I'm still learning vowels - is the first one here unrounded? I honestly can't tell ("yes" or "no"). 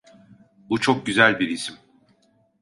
no